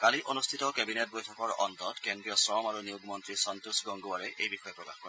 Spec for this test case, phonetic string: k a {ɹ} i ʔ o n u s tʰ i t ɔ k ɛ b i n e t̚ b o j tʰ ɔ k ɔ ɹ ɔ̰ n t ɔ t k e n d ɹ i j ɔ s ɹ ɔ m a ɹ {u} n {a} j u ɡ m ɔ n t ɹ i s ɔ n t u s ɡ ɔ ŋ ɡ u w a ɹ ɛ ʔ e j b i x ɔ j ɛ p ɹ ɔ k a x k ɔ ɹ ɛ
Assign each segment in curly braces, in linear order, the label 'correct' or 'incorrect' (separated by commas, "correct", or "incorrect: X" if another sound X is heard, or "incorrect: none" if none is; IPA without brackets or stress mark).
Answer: incorrect: l, correct, incorrect: i